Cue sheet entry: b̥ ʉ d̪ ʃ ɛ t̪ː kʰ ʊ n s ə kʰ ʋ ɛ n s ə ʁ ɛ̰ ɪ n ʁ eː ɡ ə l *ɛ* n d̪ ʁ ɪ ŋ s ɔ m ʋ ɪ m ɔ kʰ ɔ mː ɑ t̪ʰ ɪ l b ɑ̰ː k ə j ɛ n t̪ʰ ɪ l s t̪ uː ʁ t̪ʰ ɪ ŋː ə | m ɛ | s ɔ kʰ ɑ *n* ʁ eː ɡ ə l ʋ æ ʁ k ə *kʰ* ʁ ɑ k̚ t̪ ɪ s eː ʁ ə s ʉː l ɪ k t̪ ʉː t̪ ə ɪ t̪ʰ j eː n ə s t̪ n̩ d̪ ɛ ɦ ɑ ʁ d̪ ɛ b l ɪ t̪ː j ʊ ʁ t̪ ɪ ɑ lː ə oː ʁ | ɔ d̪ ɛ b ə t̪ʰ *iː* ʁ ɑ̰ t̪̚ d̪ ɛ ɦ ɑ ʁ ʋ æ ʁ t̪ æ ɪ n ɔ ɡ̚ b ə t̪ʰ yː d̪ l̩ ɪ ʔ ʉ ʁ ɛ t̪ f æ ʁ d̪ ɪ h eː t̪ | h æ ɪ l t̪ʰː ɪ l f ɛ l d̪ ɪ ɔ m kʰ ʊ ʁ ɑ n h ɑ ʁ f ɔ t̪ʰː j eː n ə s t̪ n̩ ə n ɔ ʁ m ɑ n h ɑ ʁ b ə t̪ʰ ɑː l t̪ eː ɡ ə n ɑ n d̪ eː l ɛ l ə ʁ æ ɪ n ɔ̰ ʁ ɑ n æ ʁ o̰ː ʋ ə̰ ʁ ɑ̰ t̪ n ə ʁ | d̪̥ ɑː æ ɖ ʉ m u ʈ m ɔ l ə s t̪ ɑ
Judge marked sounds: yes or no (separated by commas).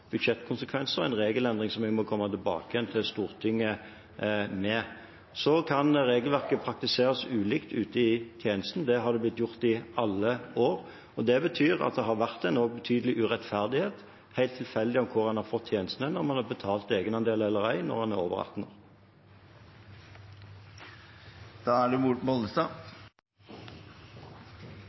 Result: yes, yes, no, no